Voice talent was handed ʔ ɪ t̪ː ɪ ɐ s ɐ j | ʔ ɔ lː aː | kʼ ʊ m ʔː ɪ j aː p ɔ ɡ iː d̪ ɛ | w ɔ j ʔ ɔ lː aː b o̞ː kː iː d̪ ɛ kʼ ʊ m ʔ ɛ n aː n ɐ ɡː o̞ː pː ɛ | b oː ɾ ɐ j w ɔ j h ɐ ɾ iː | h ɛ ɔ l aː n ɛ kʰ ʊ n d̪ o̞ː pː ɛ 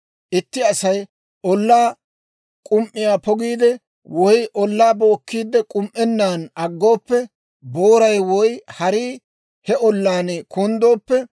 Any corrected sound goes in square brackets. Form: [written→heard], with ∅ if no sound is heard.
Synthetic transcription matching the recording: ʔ ɪ t̪ː ɪ ɐ s ɐ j | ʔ ɔ lː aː | kʼ ʊ m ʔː ɪ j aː p ɔ ɡ iː d̪ ɛ | w ɔ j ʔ ɔ lː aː b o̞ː kː iː d̪ ɛ kʼ ʊ m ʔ ɛ [n→nː] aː n ɐ ɡː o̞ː pː ɛ | b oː ɾ ɐ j w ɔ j h ɐ ɾ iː | h ɛ ɔ [l→lː] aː n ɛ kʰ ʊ n d̪ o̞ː pː ɛ

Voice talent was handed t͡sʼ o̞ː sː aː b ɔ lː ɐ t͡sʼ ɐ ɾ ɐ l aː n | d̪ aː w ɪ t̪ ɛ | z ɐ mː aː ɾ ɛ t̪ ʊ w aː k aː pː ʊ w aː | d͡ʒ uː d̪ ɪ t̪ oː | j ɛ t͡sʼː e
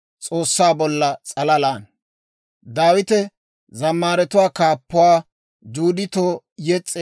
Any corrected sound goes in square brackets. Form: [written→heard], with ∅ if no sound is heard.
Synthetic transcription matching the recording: t͡sʼ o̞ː sː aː b ɔ lː ɐ t͡sʼ ɐ [ɾ→l] ɐ l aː n | d̪ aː w ɪ t̪ ɛ | z ɐ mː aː ɾ ɛ t̪ ʊ w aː k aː pː ʊ w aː | d͡ʒ uː d̪ ɪ t̪ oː | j ɛ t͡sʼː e

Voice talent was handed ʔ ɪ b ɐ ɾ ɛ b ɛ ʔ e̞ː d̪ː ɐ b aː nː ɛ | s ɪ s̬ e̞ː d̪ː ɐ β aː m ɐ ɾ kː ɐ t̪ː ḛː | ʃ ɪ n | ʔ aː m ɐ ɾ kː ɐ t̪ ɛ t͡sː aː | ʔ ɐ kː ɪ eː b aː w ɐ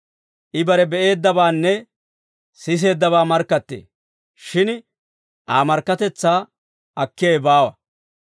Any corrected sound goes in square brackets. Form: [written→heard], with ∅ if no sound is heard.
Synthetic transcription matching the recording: ʔ ɪ b ɐ ɾ ɛ b ɛ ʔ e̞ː d̪ː ɐ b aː nː ɛ | s ɪ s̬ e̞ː d̪ː ɐ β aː m ɐ ɾ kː ɐ t̪ː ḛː | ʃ ɪ n | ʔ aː m ɐ ɾ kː ɐ t̪ ɛ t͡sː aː | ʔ ɐ kː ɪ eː b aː w ɐ

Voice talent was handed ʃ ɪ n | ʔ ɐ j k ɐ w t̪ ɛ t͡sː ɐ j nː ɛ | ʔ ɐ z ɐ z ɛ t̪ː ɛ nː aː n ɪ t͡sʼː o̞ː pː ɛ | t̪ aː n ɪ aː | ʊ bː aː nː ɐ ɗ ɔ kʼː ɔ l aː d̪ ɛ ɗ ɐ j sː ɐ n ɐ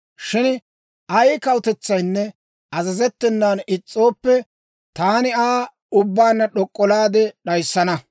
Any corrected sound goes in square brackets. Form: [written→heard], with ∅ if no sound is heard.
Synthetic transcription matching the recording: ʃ ɪ n | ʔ ɐ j k ɐ w t̪ ɛ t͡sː ɐ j nː ɛ | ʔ ɐ z ɐ z ɛ t̪ː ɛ nː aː n ɪ t͡sʼː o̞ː pː ɛ | t̪ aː n ɪ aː | ʊ bː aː nː ɐ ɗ ɔ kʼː ɔ l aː d̪ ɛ ɗ ɐ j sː ɐ n ɐ

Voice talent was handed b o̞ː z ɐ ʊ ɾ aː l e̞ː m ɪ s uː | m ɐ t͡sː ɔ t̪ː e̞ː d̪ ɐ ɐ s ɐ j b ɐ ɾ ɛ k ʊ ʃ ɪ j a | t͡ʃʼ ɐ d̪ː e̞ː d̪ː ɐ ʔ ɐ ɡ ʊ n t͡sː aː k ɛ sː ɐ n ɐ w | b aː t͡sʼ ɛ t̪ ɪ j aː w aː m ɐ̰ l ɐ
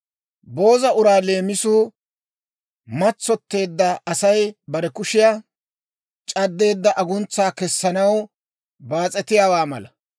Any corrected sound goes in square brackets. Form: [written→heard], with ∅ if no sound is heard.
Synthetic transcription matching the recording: b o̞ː z ɐ ʊ ɾ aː l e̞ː m ɪ s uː | m ɐ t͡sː ɔ t̪ː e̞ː [d̪→d̪ː] ɐ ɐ s ɐ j b ɐ ɾ ɛ k ʊ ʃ ɪ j a | t͡ʃʼ ɐ d̪ː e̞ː d̪ː ɐ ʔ ɐ ɡ ʊ n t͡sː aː k ɛ sː ɐ n ɐ w | b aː t͡sʼ ɛ t̪ ɪ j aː w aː m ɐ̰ l ɐ

